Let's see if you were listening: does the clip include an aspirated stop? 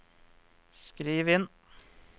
no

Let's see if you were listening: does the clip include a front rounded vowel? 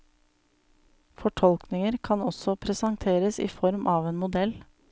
no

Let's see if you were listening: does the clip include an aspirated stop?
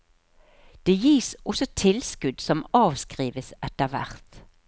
yes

